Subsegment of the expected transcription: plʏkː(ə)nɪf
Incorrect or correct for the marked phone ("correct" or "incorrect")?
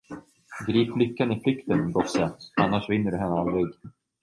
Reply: incorrect